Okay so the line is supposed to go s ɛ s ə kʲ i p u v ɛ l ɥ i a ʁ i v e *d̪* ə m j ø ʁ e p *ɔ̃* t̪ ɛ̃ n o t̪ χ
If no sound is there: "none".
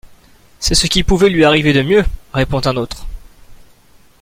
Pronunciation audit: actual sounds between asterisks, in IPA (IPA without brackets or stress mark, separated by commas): d̪, ɔ̃